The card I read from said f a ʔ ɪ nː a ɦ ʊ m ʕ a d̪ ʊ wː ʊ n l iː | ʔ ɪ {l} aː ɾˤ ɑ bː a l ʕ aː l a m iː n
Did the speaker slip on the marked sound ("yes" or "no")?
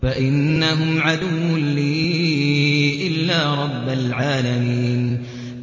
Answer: yes